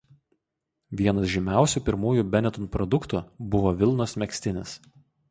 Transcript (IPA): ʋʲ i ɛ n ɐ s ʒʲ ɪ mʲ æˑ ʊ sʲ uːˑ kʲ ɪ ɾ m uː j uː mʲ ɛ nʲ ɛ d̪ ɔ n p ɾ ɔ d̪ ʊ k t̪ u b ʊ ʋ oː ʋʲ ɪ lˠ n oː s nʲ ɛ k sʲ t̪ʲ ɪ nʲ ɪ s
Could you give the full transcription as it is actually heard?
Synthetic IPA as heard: ʋʲ i ɛ n ɐ s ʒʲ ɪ mʲ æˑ ʊ sʲ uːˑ pʲ ɪ ɾ m uː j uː bʲ ɛ nʲ ɛ t̪ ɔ n p ɾ ɔ d̪ ʊ k t̪ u b ʊ ʋ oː ʋʲ ɪ lˠ n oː s mʲ ɛ k sʲ t̪ʲ ɪ nʲ ɪ s